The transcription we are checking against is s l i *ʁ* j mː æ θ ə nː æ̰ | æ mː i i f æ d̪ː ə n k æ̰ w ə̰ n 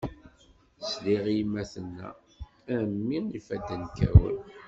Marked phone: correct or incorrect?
correct